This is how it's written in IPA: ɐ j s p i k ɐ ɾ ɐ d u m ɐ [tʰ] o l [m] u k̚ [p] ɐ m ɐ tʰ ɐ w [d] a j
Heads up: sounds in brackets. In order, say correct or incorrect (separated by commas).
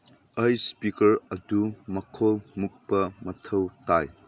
incorrect, correct, correct, incorrect